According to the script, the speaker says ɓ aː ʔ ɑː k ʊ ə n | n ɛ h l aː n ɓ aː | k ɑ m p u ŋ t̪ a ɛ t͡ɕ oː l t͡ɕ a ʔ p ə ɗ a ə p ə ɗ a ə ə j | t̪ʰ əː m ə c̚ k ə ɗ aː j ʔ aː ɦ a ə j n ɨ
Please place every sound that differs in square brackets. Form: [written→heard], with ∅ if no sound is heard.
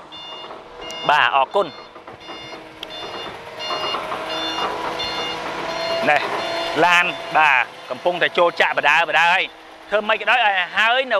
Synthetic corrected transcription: ɓ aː ʔ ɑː k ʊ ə n | n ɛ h l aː n ɓ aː | k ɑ m p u ŋ t̪ a ɛ t͡ɕ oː l t͡ɕ a ʔ p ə ɗ a ə p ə ɗ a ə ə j | t̪ʰ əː m ə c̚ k ə ɗ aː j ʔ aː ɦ a ə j n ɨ